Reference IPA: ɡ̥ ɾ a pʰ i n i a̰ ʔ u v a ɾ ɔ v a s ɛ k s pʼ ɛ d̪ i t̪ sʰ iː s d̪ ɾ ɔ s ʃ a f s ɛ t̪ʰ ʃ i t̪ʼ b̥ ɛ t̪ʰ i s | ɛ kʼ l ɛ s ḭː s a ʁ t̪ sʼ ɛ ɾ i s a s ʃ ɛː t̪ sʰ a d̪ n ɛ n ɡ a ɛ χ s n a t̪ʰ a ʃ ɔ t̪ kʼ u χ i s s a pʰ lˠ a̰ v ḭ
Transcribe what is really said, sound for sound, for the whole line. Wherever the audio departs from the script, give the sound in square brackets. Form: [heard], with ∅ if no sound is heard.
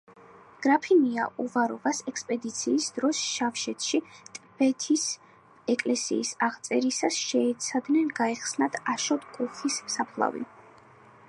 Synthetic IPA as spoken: ɡ̥ ɾ a pʰ i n i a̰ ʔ u v a ɾ ɔ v a s ɛ k s pʼ ɛ d̪ i t̪ sʰ iː s d̪ ɾ ɔ s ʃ a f [ʃ] ɛ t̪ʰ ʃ i t̪ʼ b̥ ɛ t̪ʰ i s | ɛ kʼ l ɛ s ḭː s a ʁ t̪ sʼ ɛ ɾ i s a s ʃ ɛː t̪ sʰ a d̪ n ɛ n ɡ a ɛ χ s n a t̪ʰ a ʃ ɔ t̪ kʼ u χ i s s a pʰ lˠ a̰ v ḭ

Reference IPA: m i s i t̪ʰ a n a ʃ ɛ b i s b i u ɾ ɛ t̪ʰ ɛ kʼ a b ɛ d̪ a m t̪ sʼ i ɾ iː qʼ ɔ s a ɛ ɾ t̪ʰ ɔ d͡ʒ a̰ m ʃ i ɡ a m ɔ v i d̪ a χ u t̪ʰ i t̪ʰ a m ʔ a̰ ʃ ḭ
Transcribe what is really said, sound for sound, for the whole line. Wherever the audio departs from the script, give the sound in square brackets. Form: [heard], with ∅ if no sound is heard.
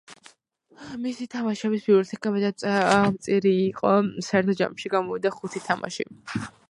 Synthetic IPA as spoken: m i s i t̪ʰ a [m] a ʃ ɛ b i s b i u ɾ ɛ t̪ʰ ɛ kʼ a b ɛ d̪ a m t̪ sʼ i ɾ iː qʼ ɔ s a ɛ ɾ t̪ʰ ɔ d͡ʒ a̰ m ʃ i ɡ a m ɔ v i d̪ a χ u t̪ʰ i t̪ʰ a m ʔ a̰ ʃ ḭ

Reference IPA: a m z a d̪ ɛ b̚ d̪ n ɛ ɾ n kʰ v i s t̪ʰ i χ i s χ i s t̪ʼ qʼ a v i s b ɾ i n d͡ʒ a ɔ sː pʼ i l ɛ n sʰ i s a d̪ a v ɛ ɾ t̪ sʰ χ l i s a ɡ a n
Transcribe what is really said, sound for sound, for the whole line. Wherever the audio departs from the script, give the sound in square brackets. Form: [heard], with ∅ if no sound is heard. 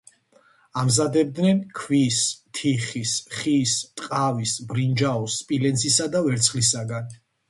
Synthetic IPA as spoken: a m z a d̪ ɛ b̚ d̪ n ɛ [∅] n kʰ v i s t̪ʰ i χ i s χ i s t̪ʼ qʼ a v i s b ɾ i n d͡ʒ a ɔ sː pʼ i l ɛ n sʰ i s a d̪ a v ɛ ɾ t̪ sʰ χ l i s a ɡ a n

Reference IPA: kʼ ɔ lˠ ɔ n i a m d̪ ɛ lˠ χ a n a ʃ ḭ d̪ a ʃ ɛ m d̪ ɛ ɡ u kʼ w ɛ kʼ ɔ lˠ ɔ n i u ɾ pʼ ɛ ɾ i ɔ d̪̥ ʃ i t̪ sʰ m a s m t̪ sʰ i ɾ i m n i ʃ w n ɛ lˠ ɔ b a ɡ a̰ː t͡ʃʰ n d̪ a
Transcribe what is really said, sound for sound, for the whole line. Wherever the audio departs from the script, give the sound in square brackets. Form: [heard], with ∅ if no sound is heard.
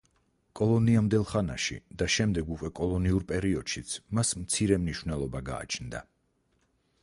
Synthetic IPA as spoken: kʼ ɔ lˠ ɔ n i a m d̪ ɛ lˠ χ a n a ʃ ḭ d̪ a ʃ ɛ m d̪ ɛ ɡ u kʼ w ɛ kʼ ɔ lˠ ɔ n i u ɾ pʼ ɛ ɾ i ɔ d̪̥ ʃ i t̪ sʰ m a s m t̪ sʰ i ɾ [ɛ] m n i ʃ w n ɛ lˠ ɔ b a ɡ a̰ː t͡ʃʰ n d̪ a

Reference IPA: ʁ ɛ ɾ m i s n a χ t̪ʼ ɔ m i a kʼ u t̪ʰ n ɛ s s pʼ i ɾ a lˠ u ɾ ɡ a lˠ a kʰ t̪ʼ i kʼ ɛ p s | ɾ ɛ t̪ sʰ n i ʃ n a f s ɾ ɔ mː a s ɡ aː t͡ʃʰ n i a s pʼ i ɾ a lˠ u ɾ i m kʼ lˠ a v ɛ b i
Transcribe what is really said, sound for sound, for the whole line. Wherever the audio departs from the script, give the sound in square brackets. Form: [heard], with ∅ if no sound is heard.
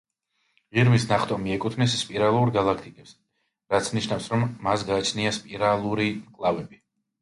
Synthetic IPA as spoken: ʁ [i] ɾ m i s n a χ t̪ʼ ɔ m i [ɛ] kʼ u t̪ʰ n ɛ s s pʼ i ɾ a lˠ u ɾ ɡ a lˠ a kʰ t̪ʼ i kʼ ɛ p s | ɾ [a] t̪ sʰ n i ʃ n a f s ɾ ɔ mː a s ɡ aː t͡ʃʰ n i a s pʼ i ɾ a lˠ u ɾ i m kʼ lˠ a v ɛ b i

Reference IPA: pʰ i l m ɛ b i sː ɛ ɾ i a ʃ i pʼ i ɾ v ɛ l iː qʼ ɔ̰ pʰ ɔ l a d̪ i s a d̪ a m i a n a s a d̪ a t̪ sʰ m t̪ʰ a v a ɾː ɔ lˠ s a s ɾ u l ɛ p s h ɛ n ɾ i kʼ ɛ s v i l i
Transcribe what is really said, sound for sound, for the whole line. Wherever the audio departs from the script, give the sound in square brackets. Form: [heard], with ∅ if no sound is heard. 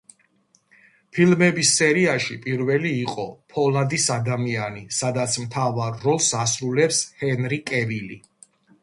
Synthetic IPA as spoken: pʰ i l m ɛ b i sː ɛ ɾ i a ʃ i pʼ i ɾ v ɛ l iː qʼ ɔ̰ pʰ ɔ l a d̪ i s a d̪ a m i a n [i] s a d̪ a t̪ sʰ m t̪ʰ a v a ɾː ɔ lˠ s a s ɾ u l ɛ p s h ɛ n ɾ i kʼ ɛ [∅] v i l i

